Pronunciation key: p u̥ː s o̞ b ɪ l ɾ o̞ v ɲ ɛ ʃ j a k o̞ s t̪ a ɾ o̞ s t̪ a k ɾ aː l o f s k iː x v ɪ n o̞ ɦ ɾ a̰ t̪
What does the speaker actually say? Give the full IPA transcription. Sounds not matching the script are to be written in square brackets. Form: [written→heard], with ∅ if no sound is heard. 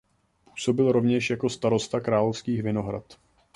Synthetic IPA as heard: p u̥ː s o̞ b ɪ l ɾ o̞ v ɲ ɛ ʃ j a k o̞ s t̪ a ɾ o̞ s t̪ a k ɾ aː l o f s k iː x v ɪ n o̞ ɦ ɾ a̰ t̪

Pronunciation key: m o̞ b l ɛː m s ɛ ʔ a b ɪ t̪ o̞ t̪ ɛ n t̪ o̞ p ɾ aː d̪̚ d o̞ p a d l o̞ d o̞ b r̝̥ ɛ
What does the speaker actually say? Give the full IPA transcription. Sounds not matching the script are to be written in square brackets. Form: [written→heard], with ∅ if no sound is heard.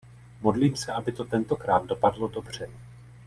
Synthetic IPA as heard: m o̞ [b→d] l [ɛː→iː] m s ɛ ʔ a b ɪ t̪ o̞ t̪ ɛ n t̪ o̞ [p→k] ɾ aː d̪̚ d o̞ p a d l o̞ d o̞ b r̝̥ ɛ

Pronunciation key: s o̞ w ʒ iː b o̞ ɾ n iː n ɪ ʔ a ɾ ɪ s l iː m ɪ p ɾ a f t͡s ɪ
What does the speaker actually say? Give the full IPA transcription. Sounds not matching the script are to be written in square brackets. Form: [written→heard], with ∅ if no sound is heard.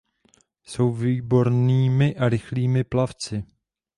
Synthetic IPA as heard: s o̞ w [ʒ→v] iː b o̞ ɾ n iː [n→m] ɪ ʔ a ɾ ɪ [s→x] l iː m ɪ p [ɾ→l] a f t͡s ɪ

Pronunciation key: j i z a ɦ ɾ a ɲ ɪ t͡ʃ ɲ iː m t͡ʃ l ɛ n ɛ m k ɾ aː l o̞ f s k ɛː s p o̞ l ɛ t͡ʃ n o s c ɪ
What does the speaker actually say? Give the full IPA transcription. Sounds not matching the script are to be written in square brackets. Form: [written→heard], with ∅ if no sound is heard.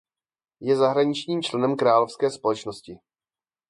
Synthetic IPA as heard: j [i→ɛ] z a ɦ ɾ a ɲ ɪ t͡ʃ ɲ iː m t͡ʃ l ɛ n ɛ m k ɾ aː l o̞ f s k ɛː s p o̞ l ɛ t͡ʃ n o s c ɪ

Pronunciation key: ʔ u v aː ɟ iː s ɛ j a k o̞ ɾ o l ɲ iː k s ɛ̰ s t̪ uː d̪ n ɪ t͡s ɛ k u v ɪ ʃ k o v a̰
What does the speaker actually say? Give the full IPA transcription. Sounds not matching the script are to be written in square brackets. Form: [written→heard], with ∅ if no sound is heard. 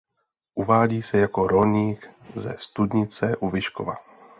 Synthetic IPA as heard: ʔ u v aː ɟ iː s ɛ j a k o̞ ɾ o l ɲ iː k [s→z] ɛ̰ s t̪ [uː→u] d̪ [n→ɲ] ɪ t͡s ɛ [k→ʔ] u v ɪ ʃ k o v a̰

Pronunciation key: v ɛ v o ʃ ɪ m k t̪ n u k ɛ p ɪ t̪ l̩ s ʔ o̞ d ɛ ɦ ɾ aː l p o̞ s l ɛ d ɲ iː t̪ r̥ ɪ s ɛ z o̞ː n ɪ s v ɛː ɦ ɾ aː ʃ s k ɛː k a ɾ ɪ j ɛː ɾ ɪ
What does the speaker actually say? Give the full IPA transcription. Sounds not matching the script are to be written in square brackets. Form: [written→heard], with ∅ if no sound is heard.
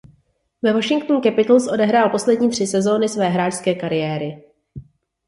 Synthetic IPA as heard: v ɛ v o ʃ ɪ [m→ŋ] k t̪ n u k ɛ p ɪ t̪ l̩ s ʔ o̞ d ɛ ɦ ɾ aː l p o̞ s l ɛ d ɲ iː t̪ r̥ ɪ s ɛ z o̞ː n ɪ s v ɛː ɦ ɾ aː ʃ s k ɛː k a ɾ ɪ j ɛː ɾ ɪ

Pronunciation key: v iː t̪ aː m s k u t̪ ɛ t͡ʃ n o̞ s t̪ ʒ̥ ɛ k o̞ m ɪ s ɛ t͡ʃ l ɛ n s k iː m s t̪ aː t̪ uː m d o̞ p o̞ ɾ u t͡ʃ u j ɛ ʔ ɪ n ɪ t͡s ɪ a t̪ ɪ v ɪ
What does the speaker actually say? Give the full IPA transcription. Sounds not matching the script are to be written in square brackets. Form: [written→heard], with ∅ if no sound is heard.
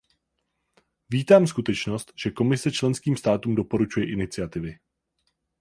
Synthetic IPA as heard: v iː t̪ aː m s k u t̪ ɛ t͡ʃ n o̞ s t̪ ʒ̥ ɛ k o̞ m ɪ s ɛ t͡ʃ l ɛ n s k iː m s t̪ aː t̪ uː m d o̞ p o̞ ɾ u t͡ʃ u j ɛ ʔ ɪ n ɪ t͡s ɪ a t̪ ɪ v ɪ

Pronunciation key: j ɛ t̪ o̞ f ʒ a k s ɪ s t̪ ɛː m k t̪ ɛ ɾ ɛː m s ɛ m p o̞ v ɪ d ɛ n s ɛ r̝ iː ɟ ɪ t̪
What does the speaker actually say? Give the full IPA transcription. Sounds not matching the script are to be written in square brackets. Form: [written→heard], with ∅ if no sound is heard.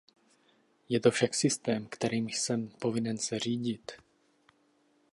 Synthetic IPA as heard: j ɛ t̪ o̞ f [ʒ→ʃ] a k s ɪ s t̪ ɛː m k t̪ ɛ ɾ [ɛː→iː] m s ɛ m p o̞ v ɪ [d→n] ɛ n s ɛ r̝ iː ɟ ɪ t̪

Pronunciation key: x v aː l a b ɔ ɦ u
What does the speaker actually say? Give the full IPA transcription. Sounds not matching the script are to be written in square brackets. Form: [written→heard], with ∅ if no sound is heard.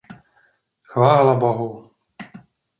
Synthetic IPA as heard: x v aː l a b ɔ ɦ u

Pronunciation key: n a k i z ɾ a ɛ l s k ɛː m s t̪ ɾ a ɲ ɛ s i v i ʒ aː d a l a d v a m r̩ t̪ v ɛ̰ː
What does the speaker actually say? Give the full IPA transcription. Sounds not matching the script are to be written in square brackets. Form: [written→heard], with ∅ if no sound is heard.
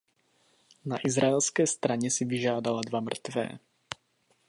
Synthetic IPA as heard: n a [k→ʔ] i z ɾ a ɛ l s k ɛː [m→∅] s t̪ ɾ a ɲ ɛ s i v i ʒ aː d a l a d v a m r̩ t̪ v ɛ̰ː

